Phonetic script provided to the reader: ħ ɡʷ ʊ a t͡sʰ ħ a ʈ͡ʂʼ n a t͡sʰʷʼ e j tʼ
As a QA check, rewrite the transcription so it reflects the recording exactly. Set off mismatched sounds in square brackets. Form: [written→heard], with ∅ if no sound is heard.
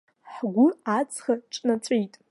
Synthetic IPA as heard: ħ ɡʷ ʊ a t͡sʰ [ħ→χ] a ʈ͡ʂʼ n a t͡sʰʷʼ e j tʼ